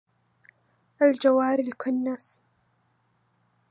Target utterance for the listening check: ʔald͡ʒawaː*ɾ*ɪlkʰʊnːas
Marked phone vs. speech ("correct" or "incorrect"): correct